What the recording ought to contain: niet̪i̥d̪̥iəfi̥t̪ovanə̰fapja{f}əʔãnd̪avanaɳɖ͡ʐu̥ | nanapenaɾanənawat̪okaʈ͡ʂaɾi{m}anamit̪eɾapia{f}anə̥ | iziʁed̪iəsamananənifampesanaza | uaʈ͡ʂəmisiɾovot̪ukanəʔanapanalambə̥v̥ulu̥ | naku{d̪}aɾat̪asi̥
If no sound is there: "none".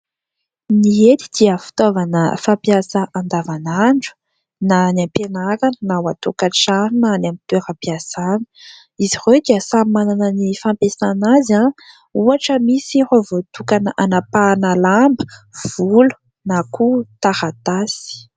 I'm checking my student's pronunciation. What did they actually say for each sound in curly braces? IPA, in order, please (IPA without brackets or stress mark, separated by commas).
s, n, s, t̪